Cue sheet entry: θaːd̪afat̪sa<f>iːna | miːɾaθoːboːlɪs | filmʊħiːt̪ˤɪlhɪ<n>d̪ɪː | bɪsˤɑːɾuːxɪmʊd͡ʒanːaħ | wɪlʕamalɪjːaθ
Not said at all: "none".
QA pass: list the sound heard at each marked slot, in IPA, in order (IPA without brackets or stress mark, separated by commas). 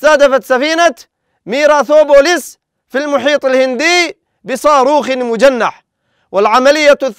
f, n